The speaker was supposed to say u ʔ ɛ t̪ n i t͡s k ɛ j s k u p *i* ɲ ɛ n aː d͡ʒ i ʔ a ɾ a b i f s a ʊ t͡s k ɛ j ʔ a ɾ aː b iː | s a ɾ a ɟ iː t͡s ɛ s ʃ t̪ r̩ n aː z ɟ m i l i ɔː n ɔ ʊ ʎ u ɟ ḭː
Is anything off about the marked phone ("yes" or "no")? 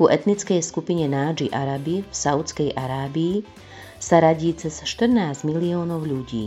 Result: no